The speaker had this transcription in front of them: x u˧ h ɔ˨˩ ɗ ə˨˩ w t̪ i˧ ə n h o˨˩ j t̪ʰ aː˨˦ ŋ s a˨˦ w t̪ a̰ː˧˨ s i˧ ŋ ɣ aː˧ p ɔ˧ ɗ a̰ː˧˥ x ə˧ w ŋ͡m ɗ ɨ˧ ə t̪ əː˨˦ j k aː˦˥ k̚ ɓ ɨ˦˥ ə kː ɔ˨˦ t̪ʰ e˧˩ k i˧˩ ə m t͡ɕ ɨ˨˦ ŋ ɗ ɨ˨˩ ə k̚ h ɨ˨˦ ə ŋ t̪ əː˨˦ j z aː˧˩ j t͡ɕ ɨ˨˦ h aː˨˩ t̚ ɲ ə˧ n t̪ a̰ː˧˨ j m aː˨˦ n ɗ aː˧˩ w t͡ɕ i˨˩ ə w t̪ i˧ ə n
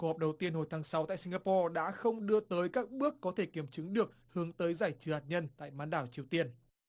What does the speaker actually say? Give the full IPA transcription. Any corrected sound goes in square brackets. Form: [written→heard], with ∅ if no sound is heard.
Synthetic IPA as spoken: [x→k] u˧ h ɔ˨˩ ɗ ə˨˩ w t̪ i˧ ə n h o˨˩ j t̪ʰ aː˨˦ ŋ s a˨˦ w t̪ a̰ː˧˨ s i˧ ŋ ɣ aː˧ p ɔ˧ ɗ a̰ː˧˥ x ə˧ w ŋ͡m ɗ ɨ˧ ə t̪ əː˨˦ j k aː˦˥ k̚ ɓ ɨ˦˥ ə kː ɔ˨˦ t̪ʰ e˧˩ k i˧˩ ə m t͡ɕ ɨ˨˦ ŋ ɗ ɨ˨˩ ə k̚ h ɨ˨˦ ə ŋ t̪ əː˨˦ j z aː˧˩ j t͡ɕ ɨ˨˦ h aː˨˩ t̚ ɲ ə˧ n t̪ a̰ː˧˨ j m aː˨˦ n ɗ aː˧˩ w t͡ɕ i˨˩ ə w t̪ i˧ ə n

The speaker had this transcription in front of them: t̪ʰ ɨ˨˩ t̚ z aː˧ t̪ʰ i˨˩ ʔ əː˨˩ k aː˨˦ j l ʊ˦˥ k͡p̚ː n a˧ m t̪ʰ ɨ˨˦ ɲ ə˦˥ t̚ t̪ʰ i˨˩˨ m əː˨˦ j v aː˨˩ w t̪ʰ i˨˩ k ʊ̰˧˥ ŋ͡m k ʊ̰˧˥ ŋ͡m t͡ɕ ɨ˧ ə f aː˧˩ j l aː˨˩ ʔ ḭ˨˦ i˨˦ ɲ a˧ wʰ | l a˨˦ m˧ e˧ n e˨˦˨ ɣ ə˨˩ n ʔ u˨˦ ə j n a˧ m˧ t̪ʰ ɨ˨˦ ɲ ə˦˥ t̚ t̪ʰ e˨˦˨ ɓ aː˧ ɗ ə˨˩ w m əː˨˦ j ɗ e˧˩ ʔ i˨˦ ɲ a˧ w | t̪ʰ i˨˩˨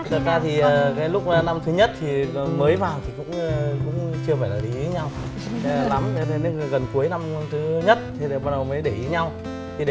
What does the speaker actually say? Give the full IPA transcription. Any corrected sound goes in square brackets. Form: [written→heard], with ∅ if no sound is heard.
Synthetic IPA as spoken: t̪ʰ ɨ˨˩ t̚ z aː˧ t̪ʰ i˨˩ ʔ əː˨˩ k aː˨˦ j l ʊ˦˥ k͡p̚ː n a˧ m t̪ʰ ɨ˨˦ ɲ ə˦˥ t̚ t̪ʰ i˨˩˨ m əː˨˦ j v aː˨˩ w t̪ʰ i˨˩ k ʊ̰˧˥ ŋ͡m k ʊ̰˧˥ ŋ͡m t͡ɕ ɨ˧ ə f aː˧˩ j l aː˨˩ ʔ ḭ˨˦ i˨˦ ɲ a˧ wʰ | l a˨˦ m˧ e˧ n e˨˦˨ ɣ ə˨˩ n [ʔ→k] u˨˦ ə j n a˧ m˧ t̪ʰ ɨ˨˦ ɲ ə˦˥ t̚ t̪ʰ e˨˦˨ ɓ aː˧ ɗ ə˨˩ w m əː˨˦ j ɗ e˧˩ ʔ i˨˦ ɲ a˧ w | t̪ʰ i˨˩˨

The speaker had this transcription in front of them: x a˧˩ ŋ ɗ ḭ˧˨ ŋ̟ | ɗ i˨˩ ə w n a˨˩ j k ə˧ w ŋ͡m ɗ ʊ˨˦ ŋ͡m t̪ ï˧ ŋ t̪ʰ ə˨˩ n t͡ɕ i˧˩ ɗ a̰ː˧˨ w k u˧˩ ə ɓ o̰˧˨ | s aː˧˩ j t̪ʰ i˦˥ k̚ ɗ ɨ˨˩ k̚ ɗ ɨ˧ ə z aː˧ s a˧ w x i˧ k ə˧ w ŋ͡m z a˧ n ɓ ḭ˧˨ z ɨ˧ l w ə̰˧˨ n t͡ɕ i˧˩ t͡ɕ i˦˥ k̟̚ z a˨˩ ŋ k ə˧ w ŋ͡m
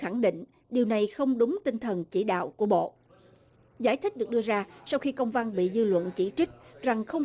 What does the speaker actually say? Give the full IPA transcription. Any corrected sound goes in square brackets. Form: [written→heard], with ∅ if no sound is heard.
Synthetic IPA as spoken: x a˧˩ ŋ ɗ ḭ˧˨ ŋ̟ | ɗ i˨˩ ə w n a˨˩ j [k→x] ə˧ w ŋ͡m ɗ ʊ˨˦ ŋ͡m t̪ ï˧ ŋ t̪ʰ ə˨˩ n t͡ɕ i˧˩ ɗ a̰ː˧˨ w k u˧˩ ə ɓ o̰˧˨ | [s→z] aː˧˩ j t̪ʰ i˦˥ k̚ ɗ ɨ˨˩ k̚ ɗ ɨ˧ ə z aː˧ s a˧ w x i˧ k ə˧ w ŋ͡m [z→v] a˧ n ɓ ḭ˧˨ z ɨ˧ l w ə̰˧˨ n t͡ɕ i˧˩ t͡ɕ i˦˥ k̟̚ z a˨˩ ŋ [k→x] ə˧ w ŋ͡m

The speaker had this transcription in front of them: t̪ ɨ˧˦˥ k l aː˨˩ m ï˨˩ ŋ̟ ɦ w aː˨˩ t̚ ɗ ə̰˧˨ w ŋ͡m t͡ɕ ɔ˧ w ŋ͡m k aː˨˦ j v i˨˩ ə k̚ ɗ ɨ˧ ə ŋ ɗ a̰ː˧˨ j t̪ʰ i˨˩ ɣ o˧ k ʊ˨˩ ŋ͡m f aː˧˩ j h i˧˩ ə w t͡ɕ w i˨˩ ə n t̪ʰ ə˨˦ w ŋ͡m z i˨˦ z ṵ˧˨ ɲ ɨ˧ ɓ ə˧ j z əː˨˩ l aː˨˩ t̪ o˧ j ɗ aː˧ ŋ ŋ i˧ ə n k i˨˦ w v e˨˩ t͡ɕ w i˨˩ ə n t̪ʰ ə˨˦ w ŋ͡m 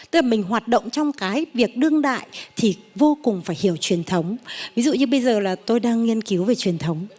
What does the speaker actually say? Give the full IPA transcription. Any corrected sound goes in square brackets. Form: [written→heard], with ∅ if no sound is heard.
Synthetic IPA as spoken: t̪ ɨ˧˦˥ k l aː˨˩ m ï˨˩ ŋ̟ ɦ w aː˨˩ t̚ ɗ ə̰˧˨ w ŋ͡m t͡ɕ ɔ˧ w ŋ͡m k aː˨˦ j v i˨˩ ə k̚ ɗ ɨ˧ ə ŋ ɗ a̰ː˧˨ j t̪ʰ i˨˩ [ɣ→v] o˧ k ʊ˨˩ ŋ͡m f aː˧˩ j h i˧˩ ə w t͡ɕ w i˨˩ ə n t̪ʰ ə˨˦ w ŋ͡m [z→v] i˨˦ z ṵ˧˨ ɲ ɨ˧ ɓ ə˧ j z əː˨˩ l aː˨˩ t̪ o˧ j ɗ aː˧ ŋ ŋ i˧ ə n k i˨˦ w v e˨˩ t͡ɕ w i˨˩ ə n t̪ʰ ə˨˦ w ŋ͡m

